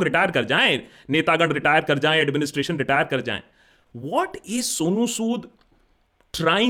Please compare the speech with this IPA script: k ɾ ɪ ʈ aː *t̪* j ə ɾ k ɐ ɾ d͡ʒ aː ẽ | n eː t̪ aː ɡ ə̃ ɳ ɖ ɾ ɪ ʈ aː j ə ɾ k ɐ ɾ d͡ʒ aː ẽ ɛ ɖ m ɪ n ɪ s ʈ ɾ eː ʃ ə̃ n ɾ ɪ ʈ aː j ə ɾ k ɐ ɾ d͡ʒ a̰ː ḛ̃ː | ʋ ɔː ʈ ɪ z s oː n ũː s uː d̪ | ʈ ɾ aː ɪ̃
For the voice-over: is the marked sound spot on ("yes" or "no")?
no